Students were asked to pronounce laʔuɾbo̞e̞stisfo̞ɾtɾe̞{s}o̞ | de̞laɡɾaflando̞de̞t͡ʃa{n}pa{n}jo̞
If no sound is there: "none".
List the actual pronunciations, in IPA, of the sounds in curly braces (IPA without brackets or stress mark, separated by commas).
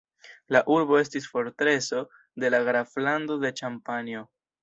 s, m, n